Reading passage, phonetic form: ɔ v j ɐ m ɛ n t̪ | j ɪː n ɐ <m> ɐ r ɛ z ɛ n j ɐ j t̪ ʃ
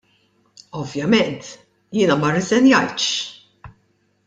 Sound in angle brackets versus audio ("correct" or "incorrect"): correct